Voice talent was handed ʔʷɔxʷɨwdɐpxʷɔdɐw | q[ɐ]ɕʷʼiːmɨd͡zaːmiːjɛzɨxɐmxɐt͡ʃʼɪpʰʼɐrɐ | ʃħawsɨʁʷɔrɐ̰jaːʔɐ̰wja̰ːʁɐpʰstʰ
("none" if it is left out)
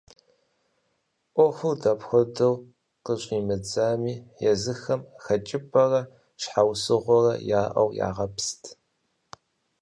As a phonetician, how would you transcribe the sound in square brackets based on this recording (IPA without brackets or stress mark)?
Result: ə